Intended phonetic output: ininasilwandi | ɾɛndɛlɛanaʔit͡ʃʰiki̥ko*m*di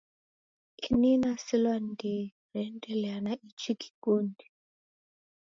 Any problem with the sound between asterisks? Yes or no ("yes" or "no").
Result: yes